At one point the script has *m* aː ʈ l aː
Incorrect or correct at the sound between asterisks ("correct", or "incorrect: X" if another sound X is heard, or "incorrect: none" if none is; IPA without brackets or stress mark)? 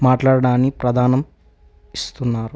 correct